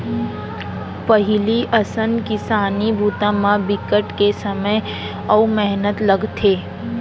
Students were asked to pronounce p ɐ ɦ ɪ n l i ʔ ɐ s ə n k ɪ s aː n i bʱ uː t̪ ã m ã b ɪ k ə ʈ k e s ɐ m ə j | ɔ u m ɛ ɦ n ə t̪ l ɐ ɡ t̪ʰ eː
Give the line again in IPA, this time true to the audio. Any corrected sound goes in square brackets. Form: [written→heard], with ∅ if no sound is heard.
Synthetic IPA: p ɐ ɦ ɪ [n→∅] l i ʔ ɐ s ə n k ɪ s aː n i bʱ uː t̪ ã m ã b ɪ k ə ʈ k e s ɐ m ə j | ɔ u m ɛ ɦ n ə t̪ l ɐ ɡ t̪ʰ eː